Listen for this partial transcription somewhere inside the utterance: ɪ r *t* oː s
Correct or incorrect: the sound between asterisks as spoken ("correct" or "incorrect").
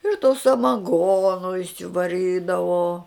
correct